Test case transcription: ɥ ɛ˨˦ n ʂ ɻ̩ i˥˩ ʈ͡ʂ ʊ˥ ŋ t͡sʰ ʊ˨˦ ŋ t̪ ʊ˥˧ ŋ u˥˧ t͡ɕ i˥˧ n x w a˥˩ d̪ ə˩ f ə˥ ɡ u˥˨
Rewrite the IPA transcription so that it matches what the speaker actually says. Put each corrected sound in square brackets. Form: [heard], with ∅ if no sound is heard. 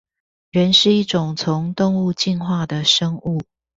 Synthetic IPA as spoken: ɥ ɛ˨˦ n ʂ ɻ̩ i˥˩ ʈ͡ʂ [ʊ˨˩] ŋ t͡sʰ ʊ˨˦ ŋ t̪ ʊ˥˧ ŋ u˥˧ t͡ɕ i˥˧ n x w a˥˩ d̪ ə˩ [ʂ] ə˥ [ŋ] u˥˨